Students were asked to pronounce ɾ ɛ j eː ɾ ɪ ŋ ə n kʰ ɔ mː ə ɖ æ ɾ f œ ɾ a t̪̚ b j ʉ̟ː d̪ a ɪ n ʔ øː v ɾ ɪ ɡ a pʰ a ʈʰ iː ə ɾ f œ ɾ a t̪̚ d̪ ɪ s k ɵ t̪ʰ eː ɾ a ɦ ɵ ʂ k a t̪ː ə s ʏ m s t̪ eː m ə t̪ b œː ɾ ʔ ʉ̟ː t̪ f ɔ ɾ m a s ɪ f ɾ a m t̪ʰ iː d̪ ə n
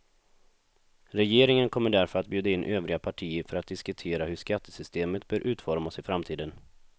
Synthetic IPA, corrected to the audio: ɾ ɛ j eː ɾ ɪ ŋ ə n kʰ ɔ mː ə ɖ æ ɾ f œ ɾ a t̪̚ b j ʉ̟ː d̪ a ɪ n ʔ øː v ɾ ɪ ɡ a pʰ a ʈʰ iː ə ɾ f œ ɾ a t̪̚ d̪ ɪ s k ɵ t̪ʰ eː ɾ a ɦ ɵ ʂ k a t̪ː ə s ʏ s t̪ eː m ə t̪ b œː ɾ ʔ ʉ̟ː t̪ f ɔ ɾ m a s ɪ f ɾ a m t̪ʰ iː d̪ ə n

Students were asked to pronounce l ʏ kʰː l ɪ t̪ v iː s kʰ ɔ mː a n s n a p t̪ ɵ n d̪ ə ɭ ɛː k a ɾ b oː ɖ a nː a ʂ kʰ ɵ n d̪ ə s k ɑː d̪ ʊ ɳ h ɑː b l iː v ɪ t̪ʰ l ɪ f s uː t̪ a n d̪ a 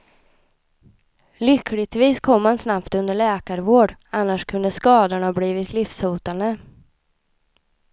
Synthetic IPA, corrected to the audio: l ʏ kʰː l ɪ t̪ v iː s kʰ ɔ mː a n s n a p t̪ ɵ n d̪ ə ɭ ɛː k a ɾ v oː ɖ a nː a ʂ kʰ ɵ n d̪ ə s k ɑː d̪ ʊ ɳ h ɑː b l iː v ɪ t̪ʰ l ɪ f s uː t̪ a n d̪ ə

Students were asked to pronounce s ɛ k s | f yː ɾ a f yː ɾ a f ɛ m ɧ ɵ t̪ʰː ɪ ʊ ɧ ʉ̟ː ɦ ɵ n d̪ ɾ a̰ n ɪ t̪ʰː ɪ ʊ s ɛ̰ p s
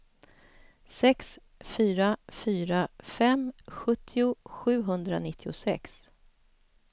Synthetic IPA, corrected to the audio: s ɛ k s | f yː ɾ a f yː ɾ a f ɛ m ɧ ɵ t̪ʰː ɪ ʊ ɧ ʉ̟ː ɦ ɵ n d̪ ɾ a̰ n ɪ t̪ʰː ɪ ʊ s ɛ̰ k s

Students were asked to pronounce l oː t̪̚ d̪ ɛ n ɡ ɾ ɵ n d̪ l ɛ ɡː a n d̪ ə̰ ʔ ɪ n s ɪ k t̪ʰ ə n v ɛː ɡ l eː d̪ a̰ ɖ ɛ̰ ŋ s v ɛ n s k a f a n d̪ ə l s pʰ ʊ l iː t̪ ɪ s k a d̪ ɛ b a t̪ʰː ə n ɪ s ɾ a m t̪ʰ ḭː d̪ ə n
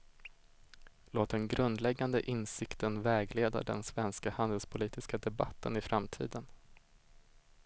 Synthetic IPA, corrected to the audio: l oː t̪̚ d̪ ɛ n ɡ ɾ ɵ n d̪ l ɛ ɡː a n d̪ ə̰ ʔ ɪ n s ɪ k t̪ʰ ə n v ɛː ɡ l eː d̪ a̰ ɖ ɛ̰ n s v ɛ n s k a h a n d̪ ə l s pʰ ʊ l iː t̪ ɪ s k a d̪ ɛ b a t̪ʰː ə n ɪ f ɾ a m t̪ʰ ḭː d̪ ə n

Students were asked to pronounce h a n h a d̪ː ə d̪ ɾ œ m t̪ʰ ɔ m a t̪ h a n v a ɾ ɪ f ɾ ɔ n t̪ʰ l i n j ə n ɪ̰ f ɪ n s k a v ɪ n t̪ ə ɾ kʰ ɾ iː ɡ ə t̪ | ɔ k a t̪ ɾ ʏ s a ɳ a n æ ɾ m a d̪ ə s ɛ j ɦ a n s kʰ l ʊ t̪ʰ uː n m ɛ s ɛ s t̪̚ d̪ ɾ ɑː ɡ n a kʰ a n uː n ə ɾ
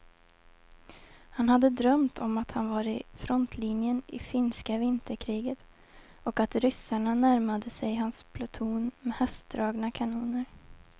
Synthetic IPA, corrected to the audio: h a n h a d̪ː ə d̪ ɾ œ m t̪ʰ ɔ m a t̪ h a n v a ɾ ɪ f ɾ ɔ n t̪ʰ l i n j ə n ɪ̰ f ɪ n s k a v ɪ n t̪ ə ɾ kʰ ɾ iː ɡ ə t̪ | ɔ k a t̪ ɾ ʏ s a ɳ a n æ ɾ m a d̪ ə s ɛ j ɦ a n s pʰ l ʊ t̪ʰ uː n m ɛ h ɛ s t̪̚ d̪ ɾ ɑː ɡ n a kʰ a n uː n ə ɾ

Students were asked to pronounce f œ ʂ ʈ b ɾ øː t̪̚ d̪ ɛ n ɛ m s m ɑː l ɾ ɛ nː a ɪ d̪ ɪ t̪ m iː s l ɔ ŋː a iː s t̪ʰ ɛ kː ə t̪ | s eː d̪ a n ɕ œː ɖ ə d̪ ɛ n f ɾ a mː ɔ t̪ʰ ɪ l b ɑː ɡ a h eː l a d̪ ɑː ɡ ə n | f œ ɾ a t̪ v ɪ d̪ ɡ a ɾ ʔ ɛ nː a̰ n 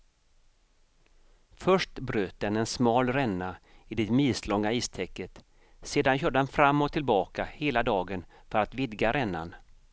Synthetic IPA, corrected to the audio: f œ ʂ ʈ b ɾ øː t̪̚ d̪ ɛ n ɛ n s m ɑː l ɾ ɛ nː a ɪ d̪ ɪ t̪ m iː s l ɔ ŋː a iː s t̪ʰ ɛ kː ə t̪ | s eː d̪ a n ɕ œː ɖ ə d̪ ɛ n f ɾ a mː ɔ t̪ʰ ɪ l b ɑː k a h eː l a d̪ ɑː ɡ ə n | f œ ɾ a t̪ v ɪ d̪ ɡ a ɾ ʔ ɛ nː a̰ n

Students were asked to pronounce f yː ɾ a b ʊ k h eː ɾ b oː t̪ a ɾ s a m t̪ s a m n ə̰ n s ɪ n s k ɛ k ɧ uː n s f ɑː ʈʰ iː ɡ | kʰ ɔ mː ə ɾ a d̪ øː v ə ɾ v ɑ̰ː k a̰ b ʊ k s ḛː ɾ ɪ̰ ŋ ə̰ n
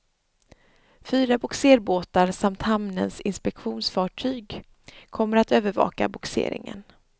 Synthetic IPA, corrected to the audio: f yː ɾ a b ʊ k s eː ɾ b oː t̪ a ɾ s a m t̪ h a m n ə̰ n s ɪ n s p ɛ k ɧ uː n s f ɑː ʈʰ yː ɡ | kʰ ɔ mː ə ɾ a t̪ øː v ə ɾ v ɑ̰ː k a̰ b ʊ k s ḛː ɾ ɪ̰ ŋ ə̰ n

